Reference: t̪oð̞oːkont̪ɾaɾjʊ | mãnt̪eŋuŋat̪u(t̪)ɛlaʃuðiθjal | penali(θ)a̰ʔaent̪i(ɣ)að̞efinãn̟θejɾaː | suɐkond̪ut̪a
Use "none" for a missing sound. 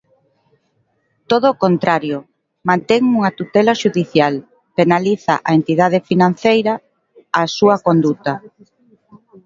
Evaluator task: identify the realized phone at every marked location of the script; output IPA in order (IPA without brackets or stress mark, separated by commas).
t̪, θ, ð